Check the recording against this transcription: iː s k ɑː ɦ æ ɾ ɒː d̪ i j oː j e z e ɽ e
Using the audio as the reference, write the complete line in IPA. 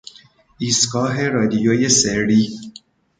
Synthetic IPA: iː s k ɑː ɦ e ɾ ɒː d̪ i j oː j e s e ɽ i